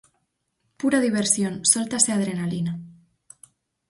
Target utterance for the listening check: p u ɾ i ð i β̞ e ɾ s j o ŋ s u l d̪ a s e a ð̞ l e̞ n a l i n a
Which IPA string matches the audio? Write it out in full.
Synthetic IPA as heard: p u ɾ a ð i β̞ e ɾ s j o n s o l t̪ a s e a ð̞ ɾ e̞ n a l i n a